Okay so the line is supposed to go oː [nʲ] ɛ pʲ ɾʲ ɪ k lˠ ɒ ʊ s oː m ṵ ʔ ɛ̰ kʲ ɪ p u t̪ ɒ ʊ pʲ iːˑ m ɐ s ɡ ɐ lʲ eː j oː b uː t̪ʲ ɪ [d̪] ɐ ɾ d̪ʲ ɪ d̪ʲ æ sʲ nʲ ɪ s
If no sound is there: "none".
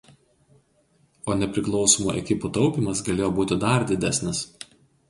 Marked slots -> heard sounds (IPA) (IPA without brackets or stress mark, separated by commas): nʲ, d̪